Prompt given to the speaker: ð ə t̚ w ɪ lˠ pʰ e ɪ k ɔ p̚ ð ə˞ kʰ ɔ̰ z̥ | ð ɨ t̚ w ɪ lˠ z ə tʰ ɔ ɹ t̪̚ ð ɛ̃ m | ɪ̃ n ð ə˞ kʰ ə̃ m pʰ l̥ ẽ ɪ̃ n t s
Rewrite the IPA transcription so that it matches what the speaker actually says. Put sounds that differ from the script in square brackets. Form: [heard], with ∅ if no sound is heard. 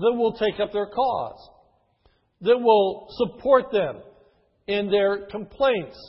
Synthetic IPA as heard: ð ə t̚ w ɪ lˠ [tʰ] e ɪ k [ʌ] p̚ ð ə˞ kʰ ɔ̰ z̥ | ð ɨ t̚ w ɪ lˠ [s] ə [pʰ] ɔ ɹ t̪̚ ð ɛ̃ m | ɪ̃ n ð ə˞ kʰ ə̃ m pʰ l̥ ẽ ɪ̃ n t s